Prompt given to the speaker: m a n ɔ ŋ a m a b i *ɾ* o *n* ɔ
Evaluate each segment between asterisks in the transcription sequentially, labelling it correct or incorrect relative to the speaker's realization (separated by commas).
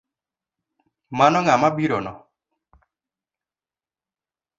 correct, correct